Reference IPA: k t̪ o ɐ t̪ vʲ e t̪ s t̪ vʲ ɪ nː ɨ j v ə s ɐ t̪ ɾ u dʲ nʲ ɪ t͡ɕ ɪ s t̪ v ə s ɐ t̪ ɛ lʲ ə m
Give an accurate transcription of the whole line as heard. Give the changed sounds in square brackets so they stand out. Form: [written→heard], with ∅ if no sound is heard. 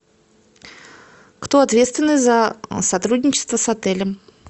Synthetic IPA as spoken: k t̪ o ɐ t̪ vʲ e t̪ s t̪ vʲ ɪ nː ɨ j [v→z] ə s ɐ t̪ ɾ u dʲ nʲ ɪ t͡ɕ ɪ s t̪ v ə s ɐ t̪ ɛ lʲ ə m